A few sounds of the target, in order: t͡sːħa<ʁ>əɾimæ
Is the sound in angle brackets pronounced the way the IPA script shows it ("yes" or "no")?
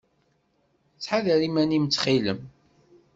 no